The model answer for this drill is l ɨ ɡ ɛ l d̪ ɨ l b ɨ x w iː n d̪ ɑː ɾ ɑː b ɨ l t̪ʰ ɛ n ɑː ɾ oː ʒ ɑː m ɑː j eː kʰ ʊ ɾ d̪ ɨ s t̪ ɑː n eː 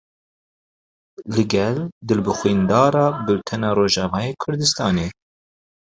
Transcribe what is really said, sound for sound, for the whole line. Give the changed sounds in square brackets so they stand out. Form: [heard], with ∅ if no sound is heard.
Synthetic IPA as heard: l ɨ ɡ ɛ l d̪ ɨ l b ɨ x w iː n d̪ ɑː ɾ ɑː b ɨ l t̪ʰ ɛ n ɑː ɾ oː ʒ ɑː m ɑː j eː kʰ ʊ ɾ d̪ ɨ s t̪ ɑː n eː